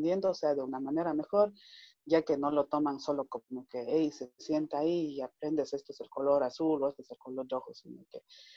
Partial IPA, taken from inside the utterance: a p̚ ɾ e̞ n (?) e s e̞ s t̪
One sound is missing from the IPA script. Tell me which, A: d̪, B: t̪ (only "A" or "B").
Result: A